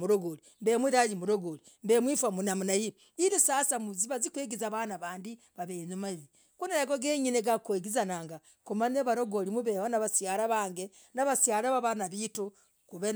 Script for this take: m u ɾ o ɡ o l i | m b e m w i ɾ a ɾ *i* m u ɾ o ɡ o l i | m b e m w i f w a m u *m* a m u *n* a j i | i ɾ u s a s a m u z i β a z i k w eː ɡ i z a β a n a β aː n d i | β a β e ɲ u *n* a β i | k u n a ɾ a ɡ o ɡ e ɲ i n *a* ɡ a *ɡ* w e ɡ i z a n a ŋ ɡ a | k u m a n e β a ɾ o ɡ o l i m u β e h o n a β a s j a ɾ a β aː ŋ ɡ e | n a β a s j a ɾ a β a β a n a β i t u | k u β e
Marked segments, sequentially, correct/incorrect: correct, incorrect, correct, incorrect, incorrect, incorrect

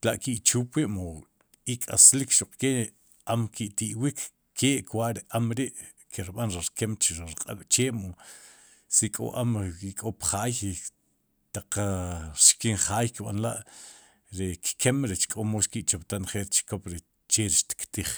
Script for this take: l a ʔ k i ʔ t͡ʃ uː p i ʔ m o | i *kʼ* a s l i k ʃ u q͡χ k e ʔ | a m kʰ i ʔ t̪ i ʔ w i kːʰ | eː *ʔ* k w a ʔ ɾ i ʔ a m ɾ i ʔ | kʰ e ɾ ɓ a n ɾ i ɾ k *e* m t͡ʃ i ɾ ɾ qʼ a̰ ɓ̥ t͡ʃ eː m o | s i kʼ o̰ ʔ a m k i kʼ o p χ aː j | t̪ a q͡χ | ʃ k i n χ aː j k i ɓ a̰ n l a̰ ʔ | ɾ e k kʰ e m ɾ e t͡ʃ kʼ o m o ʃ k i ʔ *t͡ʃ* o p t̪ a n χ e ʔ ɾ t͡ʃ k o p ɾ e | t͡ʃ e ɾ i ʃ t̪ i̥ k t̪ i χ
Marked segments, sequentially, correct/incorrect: correct, correct, correct, correct

